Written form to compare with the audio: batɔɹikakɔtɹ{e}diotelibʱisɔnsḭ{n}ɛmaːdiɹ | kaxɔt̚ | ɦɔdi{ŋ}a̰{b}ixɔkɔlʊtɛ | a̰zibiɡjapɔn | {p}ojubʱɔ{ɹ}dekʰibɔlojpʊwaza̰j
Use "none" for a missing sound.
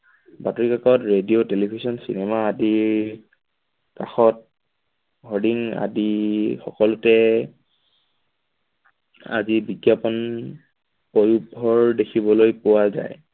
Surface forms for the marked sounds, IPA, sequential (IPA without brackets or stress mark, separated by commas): e, n, ŋ, d, p, ɹ